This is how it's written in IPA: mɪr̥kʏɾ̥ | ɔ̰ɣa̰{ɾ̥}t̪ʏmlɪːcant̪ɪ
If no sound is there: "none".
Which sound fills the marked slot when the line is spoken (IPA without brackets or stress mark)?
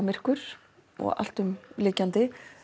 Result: l̥